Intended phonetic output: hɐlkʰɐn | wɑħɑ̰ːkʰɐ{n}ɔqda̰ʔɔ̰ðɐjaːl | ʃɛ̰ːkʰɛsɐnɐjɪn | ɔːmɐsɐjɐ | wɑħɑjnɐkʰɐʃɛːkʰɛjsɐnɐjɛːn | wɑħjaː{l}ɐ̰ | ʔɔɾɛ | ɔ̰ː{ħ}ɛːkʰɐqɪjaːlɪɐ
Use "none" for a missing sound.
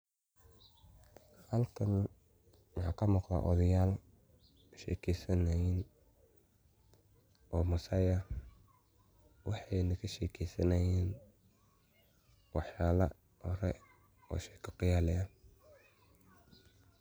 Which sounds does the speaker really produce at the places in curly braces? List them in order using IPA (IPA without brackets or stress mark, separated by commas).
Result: m, l, ʃ